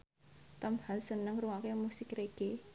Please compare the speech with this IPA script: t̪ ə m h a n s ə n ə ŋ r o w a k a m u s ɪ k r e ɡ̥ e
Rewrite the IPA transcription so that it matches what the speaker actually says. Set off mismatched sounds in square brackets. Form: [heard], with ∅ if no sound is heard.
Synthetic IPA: t̪ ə m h a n s ə n ə ŋ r [u] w a k [e] m u s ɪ k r e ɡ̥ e